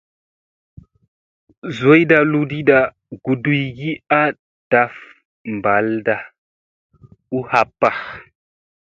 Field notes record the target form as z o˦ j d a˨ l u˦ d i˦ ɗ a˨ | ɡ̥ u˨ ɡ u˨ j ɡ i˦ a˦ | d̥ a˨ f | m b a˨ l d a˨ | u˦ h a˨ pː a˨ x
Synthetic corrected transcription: z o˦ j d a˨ l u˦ d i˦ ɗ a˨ | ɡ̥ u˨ d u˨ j ɡ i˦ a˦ | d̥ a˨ f | m b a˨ l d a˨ | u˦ h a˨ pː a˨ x

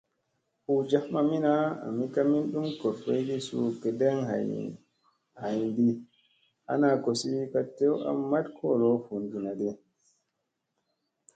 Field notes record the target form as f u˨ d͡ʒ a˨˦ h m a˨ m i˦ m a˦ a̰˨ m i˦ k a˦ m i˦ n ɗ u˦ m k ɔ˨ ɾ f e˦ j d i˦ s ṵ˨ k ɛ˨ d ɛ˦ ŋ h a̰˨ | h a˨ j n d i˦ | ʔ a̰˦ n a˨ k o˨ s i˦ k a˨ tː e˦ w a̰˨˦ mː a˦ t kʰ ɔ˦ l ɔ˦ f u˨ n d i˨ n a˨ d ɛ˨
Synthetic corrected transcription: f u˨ d͡ʒ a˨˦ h m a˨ m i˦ n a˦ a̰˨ m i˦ k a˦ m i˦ n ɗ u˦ m k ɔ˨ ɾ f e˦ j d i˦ s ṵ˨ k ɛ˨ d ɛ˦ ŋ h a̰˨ | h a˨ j n d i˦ | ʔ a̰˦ n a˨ k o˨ s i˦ k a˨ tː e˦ w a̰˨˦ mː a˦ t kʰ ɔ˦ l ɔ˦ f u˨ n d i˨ n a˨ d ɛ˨

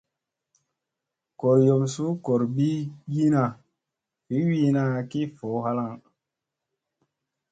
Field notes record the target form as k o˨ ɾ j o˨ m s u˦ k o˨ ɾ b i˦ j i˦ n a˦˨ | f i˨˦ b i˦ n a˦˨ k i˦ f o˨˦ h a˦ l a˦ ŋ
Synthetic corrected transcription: k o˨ ɾ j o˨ m s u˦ k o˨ ɾ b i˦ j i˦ n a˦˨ | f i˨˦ w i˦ n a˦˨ k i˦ f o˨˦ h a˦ l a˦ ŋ

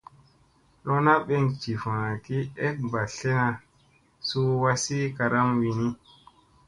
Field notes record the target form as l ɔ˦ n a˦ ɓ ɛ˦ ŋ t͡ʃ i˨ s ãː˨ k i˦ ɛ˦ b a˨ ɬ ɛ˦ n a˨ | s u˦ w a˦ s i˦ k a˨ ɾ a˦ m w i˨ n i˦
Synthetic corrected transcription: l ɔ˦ n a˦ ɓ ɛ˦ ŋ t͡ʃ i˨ f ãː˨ k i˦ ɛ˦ b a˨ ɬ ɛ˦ n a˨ | s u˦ w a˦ s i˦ k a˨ ɾ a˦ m w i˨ n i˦

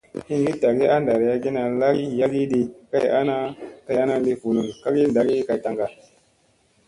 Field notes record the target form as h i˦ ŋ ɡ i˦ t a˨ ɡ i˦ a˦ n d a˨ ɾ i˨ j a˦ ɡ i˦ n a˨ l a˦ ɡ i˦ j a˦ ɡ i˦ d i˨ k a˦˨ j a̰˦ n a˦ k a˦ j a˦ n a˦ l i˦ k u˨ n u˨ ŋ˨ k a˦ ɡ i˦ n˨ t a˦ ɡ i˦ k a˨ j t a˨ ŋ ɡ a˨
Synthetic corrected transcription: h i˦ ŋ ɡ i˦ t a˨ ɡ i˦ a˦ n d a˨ ɾ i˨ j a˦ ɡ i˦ n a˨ l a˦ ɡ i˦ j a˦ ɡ i˦ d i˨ k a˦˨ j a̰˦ n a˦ k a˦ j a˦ n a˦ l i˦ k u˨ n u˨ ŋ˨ k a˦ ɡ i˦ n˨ d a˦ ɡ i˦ k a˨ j t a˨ ŋ ɡ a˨

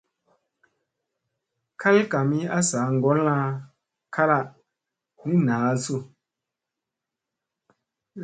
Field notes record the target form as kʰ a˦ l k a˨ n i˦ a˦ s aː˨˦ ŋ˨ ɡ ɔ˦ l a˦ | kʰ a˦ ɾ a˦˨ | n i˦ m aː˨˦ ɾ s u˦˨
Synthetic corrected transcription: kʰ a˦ l k a˨ m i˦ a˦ s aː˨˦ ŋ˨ ɡ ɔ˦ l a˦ | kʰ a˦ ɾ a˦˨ | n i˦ n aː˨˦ s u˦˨

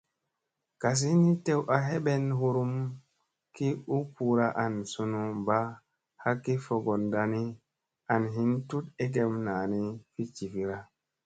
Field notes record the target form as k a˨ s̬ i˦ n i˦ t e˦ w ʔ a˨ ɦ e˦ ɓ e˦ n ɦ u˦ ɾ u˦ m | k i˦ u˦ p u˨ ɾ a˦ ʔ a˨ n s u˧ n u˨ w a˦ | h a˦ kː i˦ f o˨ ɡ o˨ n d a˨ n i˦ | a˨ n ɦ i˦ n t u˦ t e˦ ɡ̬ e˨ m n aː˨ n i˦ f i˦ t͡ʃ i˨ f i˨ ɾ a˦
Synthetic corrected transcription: k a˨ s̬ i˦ n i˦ t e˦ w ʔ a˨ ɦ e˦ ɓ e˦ n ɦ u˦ ɾ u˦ m | k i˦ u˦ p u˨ ɾ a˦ ʔ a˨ n s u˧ n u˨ b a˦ | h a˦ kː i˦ f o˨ ɡ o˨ n d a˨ n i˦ | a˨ n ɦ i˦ n t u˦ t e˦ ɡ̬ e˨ m n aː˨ n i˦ f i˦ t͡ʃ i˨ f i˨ ɾ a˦

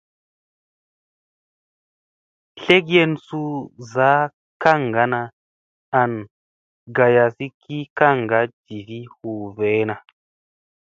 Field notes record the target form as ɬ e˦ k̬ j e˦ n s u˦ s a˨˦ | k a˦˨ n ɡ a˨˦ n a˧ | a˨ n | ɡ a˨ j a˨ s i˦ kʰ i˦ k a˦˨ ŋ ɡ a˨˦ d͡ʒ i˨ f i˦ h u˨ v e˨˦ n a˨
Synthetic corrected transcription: ɬ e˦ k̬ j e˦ n s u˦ z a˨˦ | k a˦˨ ŋ ɡ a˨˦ n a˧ | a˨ n | ɡ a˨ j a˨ s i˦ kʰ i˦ k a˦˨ ŋ ɡ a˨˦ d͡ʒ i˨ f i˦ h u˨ v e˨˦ n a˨

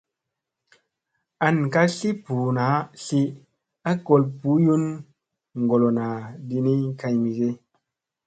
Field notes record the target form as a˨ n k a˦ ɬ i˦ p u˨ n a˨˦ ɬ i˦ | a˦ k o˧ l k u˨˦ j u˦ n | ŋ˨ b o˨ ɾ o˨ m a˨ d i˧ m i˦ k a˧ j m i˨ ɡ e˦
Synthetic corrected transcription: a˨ n k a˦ ɬ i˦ p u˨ n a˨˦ ɬ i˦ | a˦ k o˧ l p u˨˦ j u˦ n | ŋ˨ ɡ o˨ l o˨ n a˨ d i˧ n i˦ k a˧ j m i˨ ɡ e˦

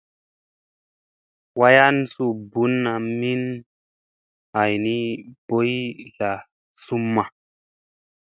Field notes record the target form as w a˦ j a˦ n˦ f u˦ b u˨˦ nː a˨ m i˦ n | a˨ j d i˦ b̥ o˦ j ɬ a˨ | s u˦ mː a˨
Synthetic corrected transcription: w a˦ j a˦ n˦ s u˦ b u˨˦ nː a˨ m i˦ n | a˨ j n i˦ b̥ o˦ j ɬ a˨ | s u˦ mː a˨

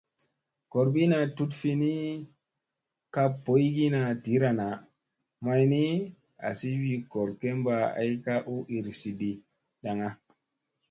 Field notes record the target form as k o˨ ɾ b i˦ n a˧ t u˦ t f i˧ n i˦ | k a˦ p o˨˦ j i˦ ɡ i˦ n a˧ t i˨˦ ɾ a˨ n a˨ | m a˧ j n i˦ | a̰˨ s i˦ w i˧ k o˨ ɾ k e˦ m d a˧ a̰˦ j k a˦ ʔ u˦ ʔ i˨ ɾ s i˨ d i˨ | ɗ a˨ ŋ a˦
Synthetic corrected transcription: k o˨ ɾ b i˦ n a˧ t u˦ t f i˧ n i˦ | k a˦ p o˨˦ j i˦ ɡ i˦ n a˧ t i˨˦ ɾ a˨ n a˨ | m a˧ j n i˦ | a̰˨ s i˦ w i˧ k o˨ ɾ k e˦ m b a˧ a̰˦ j k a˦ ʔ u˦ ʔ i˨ ɾ s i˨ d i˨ | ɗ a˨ ŋ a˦

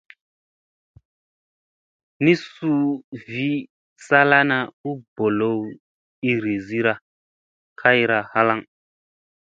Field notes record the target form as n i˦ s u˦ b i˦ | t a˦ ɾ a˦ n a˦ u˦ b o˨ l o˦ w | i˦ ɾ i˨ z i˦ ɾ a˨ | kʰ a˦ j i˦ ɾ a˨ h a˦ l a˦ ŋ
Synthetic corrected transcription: n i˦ s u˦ v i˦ | s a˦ l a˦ n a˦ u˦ b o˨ l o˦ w | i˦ ɾ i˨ z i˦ ɾ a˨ | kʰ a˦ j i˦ ɾ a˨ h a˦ l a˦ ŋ

